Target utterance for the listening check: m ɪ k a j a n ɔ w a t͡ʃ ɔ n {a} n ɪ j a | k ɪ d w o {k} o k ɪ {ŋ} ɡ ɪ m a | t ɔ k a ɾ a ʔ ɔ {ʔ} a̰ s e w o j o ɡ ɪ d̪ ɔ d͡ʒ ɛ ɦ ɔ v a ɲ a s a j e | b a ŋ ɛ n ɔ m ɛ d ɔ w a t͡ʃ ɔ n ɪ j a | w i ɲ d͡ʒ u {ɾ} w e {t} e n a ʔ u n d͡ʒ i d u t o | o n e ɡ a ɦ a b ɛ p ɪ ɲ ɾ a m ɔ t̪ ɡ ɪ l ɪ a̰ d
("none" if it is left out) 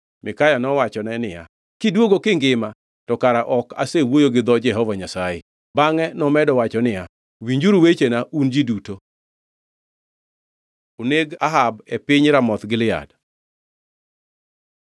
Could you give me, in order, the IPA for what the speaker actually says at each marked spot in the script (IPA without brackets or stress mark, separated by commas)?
ɛ, ɡ, ŋ, k, ɾ, t͡ʃ